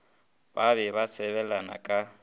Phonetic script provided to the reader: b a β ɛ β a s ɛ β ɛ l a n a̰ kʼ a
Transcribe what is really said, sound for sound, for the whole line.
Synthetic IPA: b a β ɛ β a s ɛ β ɛ l a n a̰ kʼ a